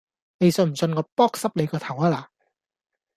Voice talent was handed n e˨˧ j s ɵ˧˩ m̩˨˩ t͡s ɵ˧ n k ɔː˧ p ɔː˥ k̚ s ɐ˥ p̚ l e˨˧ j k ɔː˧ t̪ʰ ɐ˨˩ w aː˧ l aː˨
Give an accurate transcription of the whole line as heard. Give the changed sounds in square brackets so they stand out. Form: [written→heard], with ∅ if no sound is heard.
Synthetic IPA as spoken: n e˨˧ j s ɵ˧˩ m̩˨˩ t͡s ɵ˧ n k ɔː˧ p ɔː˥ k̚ s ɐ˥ p̚ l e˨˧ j k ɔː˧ t̪ʰ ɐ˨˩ w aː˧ l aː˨